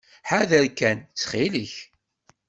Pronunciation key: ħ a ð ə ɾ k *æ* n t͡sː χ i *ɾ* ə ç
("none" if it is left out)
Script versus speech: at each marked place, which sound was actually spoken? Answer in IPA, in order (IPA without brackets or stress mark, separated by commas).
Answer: æ, l